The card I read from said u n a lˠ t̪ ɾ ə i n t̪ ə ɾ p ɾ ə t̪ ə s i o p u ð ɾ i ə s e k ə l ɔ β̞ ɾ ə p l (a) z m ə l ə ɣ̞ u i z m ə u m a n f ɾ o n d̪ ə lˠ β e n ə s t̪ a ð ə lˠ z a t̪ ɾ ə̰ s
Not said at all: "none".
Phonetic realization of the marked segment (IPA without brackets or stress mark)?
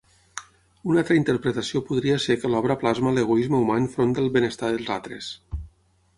a